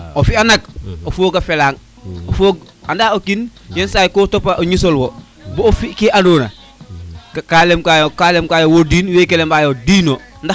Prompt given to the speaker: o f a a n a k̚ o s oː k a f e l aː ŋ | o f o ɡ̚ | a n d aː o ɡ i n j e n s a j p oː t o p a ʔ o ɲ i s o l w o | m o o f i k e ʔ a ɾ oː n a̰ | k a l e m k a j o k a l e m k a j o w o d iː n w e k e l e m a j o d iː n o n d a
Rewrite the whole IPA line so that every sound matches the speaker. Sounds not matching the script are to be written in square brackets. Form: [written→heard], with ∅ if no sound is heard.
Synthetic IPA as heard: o f [a→i] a n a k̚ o [s→f] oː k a f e l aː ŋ | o f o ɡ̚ | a n d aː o [ɡ→k] i n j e n s a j [p→k] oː t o p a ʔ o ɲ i s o l w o | [m→b] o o f i k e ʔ a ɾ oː n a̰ | k a l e m k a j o k a l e m k a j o w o d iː n w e k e l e m a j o d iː n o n d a